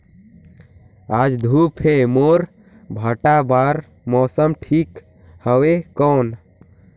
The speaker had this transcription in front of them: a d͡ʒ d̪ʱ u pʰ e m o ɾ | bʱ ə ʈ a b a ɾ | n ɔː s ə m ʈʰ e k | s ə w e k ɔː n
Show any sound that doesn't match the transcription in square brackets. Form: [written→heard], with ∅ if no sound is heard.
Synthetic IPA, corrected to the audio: a d͡ʒ d̪ʱ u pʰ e m o ɾ | bʱ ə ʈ a b a ɾ | [n→m] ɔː s ə m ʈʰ [e→i] k | [s→h] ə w e k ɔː n